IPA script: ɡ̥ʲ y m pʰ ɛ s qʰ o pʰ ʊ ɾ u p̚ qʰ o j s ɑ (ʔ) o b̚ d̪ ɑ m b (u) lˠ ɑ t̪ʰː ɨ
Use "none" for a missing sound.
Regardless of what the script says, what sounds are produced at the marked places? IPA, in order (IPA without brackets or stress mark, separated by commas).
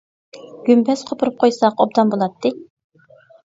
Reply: q, o